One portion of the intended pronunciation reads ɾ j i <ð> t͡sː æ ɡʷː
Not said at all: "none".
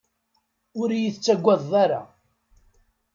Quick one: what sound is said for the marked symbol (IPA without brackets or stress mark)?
θ